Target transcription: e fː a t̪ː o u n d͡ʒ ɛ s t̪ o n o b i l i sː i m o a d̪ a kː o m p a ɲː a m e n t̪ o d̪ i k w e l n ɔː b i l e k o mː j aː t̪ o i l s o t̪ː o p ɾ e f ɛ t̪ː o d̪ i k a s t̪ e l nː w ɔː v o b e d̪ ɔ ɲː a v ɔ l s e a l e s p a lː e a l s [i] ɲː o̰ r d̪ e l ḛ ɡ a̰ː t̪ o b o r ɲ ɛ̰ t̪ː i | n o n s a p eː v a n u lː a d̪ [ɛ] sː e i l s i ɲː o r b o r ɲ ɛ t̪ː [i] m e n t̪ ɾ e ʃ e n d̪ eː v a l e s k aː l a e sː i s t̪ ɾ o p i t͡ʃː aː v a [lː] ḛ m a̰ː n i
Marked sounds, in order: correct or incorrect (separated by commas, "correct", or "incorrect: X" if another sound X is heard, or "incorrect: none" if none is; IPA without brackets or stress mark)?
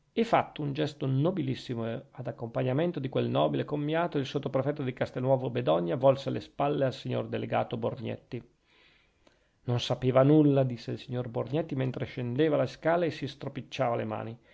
correct, incorrect: i, correct, incorrect: l